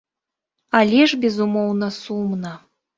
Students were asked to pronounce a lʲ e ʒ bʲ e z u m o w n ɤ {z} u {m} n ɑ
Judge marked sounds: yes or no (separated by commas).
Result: no, yes